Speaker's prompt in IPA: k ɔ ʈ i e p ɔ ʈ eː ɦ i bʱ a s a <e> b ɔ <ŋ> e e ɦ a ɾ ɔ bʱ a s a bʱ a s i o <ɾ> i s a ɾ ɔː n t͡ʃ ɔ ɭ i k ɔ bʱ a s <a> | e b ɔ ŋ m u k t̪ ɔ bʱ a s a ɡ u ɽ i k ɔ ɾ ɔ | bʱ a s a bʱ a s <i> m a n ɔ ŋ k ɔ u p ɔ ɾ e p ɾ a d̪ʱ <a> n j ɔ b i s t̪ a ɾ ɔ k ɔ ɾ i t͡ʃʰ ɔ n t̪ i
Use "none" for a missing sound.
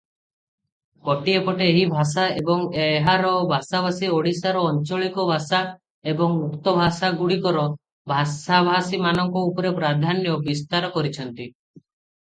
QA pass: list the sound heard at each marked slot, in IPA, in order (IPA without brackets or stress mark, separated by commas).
e, ŋ, ɽ, a, i, a